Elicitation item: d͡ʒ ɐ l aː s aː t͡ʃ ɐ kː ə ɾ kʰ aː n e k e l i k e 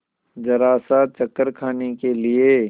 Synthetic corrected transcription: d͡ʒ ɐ ɾ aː s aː t͡ʃ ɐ kː ə ɾ kʰ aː n e k e l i e